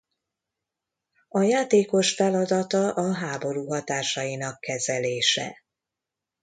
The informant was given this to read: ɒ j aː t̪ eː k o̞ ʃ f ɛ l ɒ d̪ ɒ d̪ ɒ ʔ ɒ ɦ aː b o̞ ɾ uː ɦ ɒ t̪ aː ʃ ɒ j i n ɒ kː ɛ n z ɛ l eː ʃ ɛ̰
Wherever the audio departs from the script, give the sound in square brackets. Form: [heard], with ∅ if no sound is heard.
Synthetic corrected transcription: ɒ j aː t̪ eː k o̞ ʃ f ɛ l ɒ d̪ ɒ [t̪] ɒ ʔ ɒ ɦ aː b o̞ ɾ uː ɦ ɒ t̪ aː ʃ ɒ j i n ɒ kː ɛ [∅] z ɛ l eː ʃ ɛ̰